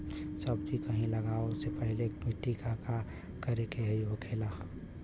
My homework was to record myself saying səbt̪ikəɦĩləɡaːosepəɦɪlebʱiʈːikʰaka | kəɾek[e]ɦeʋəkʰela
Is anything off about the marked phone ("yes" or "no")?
no